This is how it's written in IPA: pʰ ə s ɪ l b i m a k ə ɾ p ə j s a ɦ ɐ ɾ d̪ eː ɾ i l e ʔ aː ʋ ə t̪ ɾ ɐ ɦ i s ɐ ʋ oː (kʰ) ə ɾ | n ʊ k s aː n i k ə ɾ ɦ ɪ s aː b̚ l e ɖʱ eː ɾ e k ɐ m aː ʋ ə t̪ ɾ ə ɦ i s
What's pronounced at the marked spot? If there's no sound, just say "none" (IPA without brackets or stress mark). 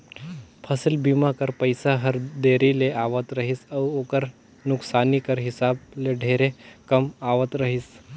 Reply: k